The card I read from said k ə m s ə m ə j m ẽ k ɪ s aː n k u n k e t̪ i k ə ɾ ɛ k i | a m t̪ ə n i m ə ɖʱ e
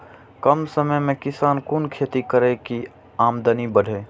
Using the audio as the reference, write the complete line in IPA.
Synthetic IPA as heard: k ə m s ə m ə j m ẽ k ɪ s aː n k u n kʰ e t̪ i k ə ɾ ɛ k i | a m d̪ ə n i b ə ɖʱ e